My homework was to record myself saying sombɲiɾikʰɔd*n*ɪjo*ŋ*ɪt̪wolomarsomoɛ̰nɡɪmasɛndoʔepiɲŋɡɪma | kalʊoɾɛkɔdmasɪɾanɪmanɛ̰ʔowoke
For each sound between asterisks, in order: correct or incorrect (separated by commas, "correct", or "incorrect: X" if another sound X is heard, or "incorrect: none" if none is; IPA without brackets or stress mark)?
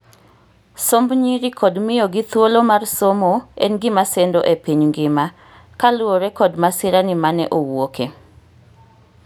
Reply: incorrect: m, incorrect: ɡ